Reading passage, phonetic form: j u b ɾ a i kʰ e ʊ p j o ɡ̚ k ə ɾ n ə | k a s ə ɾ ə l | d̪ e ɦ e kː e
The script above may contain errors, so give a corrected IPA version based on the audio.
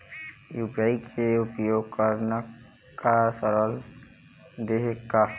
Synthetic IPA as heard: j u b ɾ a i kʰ e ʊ p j o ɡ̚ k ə ɾ n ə | k a s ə ɾ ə l | d̪ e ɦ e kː a